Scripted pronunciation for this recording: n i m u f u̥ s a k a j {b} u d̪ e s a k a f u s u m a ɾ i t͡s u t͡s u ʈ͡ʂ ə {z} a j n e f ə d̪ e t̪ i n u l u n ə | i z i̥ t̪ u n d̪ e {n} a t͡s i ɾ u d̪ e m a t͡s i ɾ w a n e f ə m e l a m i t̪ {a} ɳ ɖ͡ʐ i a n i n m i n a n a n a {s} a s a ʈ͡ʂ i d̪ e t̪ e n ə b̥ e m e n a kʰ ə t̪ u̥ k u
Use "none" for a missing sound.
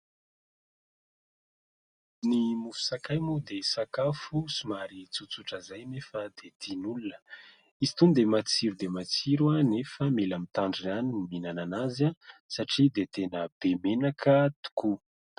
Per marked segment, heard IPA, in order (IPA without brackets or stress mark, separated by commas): m, z, m, a, z